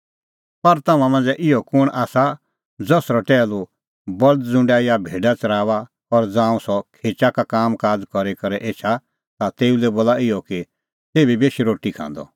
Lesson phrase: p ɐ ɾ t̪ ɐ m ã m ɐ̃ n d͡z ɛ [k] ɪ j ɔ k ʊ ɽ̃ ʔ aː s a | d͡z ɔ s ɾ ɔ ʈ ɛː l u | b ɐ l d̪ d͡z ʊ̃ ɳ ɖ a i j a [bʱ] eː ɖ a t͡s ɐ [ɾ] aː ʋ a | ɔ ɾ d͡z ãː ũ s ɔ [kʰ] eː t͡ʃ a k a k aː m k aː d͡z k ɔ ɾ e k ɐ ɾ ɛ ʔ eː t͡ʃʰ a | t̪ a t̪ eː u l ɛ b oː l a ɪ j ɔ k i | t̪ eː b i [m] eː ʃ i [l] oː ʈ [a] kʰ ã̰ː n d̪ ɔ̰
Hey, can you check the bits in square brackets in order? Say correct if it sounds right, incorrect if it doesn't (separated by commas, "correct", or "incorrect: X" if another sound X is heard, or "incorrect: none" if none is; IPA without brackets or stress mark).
incorrect: ʔ, correct, correct, correct, incorrect: b, incorrect: ɾ, incorrect: i